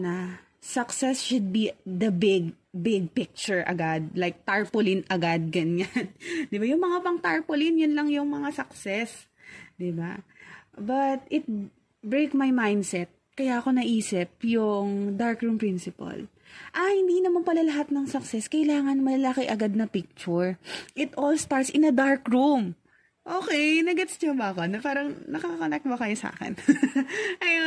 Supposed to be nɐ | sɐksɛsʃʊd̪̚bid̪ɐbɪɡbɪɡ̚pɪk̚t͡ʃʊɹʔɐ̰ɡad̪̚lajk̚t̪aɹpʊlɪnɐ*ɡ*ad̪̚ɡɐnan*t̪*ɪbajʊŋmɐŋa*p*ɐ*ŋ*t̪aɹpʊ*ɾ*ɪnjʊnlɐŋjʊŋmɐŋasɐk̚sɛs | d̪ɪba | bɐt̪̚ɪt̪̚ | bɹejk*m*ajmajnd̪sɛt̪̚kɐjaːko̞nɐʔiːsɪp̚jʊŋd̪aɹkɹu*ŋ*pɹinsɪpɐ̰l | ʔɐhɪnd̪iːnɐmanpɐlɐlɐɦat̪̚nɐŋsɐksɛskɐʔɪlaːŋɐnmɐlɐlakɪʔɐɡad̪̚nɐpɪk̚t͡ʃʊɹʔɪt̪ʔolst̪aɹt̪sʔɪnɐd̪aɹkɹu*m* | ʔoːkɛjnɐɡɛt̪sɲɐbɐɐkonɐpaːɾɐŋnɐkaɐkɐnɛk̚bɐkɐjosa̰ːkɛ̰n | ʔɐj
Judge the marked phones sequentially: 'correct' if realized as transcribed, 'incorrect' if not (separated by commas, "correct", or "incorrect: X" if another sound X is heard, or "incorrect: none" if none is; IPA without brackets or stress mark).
correct, incorrect: d̪, correct, correct, incorrect: l, correct, incorrect: m, correct